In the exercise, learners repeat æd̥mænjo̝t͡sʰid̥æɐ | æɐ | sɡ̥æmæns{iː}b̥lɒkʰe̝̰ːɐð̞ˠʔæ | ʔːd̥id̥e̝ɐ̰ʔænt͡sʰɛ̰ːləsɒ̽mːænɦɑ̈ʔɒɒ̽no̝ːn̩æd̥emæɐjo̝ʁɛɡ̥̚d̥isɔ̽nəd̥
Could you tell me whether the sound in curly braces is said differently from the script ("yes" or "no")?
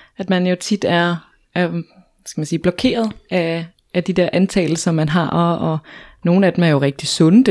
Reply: no